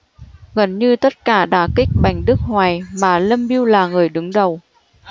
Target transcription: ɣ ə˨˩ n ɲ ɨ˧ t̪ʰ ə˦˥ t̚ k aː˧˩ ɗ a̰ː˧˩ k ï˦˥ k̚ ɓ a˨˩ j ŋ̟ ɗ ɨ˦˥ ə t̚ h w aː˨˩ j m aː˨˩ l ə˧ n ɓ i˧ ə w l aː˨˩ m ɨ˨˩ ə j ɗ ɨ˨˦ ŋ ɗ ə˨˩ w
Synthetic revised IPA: ɣ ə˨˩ n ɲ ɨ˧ t̪ ə˦˥ t̚ k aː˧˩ ɗ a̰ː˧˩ k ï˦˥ k̚ ɓ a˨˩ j ŋ̟ ɗ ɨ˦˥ ə k̚ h w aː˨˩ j m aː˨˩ l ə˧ m ɓ i˧ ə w l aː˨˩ ŋ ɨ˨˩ ə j ɗ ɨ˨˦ ŋ ɗ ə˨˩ w